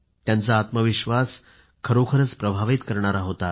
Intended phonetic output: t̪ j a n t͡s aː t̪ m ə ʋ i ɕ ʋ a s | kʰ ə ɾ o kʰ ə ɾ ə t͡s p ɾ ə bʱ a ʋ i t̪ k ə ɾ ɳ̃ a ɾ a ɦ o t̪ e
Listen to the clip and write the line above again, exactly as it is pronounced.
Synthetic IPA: t̪ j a n t͡s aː t̪ m ə ʋ i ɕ ʋ a s | kʰ ə ɾ o kʰ ə ɾ ə t͡s p ɾ ə bʱ a ʋ i t̪ k ə ɾ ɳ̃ a ɾ a ɦ o t̪ a